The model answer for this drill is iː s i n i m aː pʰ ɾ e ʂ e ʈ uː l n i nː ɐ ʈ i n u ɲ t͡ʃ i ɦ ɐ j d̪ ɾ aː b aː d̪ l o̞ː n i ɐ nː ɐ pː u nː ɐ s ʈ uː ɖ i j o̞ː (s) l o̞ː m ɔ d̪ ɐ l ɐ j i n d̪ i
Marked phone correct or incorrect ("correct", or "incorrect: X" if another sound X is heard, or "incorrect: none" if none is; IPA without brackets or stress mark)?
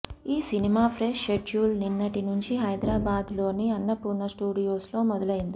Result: correct